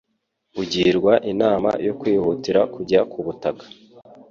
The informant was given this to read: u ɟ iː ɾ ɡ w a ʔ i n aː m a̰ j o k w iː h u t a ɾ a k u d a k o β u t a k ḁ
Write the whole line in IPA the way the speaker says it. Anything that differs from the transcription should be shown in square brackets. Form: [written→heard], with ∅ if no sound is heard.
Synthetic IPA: u ɟ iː ɾ ɡ w a ʔ i n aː m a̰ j o k w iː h u t [a→i] ɾ a k u [d→ɟ] a k [o→u] β u t a k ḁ